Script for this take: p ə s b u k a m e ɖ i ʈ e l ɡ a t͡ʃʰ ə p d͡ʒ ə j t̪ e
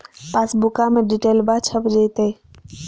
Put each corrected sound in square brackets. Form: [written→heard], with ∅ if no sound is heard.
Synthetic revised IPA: p [ə→a] s b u k a m e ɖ i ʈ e l [ɡ→b] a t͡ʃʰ ə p d͡ʒ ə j t̪ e

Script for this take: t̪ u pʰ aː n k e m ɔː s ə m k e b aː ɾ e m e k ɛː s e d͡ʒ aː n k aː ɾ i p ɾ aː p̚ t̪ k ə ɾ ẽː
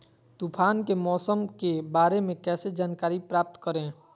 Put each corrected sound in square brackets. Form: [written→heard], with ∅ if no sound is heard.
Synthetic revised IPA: t̪ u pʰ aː n k e m ɔː s ə m k e b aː ɾ e m [e→ẽ] k ɛː s e d͡ʒ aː n k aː ɾ i p ɾ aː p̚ t̪ k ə ɾ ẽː

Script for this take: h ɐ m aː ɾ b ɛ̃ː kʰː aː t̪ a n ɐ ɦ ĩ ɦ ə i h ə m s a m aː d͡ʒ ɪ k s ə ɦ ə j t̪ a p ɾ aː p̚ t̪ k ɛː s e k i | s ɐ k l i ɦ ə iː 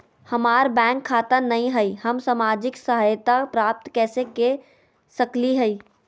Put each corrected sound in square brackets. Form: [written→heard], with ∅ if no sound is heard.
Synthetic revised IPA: h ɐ m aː ɾ b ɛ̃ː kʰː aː t̪ a n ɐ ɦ ĩ ɦ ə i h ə m s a m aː d͡ʒ ɪ k s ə ɦ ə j t̪ a p ɾ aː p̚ t̪ k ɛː s e k [i→e] | s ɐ k l i ɦ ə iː

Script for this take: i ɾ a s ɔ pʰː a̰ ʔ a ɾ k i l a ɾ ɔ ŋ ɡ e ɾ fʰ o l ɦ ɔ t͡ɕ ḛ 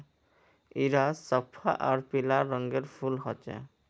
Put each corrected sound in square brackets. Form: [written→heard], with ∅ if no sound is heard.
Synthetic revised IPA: i ɾ a s ɔ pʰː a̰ ʔ a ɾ [k→p] i l a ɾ ɔ ŋ ɡ e ɾ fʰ [o→u] l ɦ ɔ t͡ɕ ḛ

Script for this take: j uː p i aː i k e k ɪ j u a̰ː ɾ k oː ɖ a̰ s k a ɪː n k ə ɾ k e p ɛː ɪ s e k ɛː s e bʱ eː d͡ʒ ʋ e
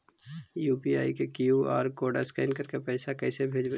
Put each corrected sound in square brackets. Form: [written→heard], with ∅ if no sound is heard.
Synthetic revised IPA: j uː p i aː i k e k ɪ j u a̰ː ɾ k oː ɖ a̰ s k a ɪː n k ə ɾ k e p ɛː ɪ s [e→a] k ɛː s e bʱ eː d͡ʒ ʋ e

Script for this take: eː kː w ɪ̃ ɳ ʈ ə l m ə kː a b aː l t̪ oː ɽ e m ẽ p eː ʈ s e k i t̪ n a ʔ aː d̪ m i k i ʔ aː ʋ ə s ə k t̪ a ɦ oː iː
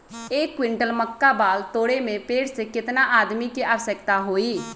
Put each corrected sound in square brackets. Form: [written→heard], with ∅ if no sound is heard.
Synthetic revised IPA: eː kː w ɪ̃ ɳ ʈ ə l m ə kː a b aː l t̪ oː ɽ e m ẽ p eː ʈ s e k [i→ɪ] t̪ n a ʔ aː d̪ m i k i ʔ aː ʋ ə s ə k t̪ a ɦ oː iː

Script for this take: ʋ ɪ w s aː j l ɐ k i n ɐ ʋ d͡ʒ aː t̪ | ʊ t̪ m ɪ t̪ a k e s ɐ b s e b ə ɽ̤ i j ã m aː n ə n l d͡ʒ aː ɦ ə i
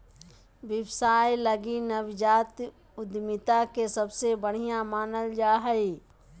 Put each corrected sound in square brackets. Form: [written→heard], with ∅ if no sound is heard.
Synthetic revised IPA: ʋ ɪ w s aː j l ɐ [k→ɡ] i n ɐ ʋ d͡ʒ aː t̪ | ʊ [t̪→d̪] m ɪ t̪ a k e s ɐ b s e b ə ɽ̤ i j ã m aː n ə [n→∅] l d͡ʒ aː ɦ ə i

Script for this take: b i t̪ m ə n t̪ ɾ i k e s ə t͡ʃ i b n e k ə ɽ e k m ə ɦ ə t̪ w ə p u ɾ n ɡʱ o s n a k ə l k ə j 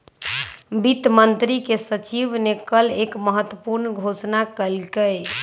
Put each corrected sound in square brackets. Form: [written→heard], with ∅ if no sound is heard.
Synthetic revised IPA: b i t̪ m ə n t̪ ɾ i k e s ə t͡ʃ i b n e k ə [ɽ→l] e k m ə ɦ ə t̪ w ə p u ɾ n ɡʱ o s n a k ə l k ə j

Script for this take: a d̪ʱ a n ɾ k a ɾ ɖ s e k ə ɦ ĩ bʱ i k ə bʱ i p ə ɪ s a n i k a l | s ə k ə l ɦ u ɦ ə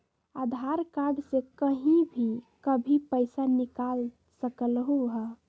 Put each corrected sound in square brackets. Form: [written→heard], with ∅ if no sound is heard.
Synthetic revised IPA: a d̪ʱ a [n→∅] ɾ k a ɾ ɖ s e k ə ɦ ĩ bʱ i k ə bʱ i p ə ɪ s a n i k a l | s ə k ə l ɦ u ɦ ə

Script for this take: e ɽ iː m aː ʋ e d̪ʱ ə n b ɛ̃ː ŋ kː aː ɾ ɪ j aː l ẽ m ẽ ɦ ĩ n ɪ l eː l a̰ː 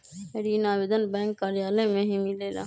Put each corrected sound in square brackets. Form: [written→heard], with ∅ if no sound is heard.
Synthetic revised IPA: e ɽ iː [m→n] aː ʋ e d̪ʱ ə n b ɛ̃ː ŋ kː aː ɾ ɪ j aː l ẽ m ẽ ɦ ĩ [n→m] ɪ l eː l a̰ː

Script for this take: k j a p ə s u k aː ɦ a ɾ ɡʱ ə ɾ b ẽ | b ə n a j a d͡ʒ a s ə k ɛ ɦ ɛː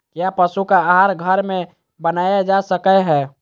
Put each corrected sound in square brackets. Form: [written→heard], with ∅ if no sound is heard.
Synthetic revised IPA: k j a p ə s u k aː ɦ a ɾ ɡʱ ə ɾ [b→m] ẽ | b ə n a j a d͡ʒ a s ə k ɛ ɦ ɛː

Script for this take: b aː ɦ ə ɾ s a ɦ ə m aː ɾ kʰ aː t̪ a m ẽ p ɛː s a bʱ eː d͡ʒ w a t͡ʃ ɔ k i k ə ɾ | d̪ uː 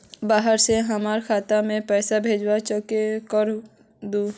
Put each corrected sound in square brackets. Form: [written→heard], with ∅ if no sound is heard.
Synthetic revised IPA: b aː ɦ ə ɾ s [a→e] ɦ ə m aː ɾ kʰ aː t̪ a m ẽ p ɛː s a bʱ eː d͡ʒ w a t͡ʃ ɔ k [i→e] k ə ɾ | d̪ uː

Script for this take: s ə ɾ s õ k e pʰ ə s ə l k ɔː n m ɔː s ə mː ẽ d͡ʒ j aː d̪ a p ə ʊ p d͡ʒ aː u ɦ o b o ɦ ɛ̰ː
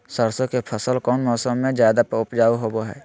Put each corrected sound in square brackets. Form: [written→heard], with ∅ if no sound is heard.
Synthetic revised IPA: s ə ɾ s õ k e pʰ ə s ə l k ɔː n m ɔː s ə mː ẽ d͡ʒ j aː d̪ a p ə ʊ p d͡ʒ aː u ɦ o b o ɦ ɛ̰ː

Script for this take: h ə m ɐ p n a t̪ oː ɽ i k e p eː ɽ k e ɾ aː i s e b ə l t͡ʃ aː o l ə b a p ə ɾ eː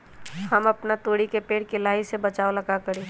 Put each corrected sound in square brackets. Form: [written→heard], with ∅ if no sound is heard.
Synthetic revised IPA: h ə m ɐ p n a t̪ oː ɽ i k e p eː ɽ k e [ɾ→l] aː i s e b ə [l→∅] t͡ʃ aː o l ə [b→ɡ] a [p→k] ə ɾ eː

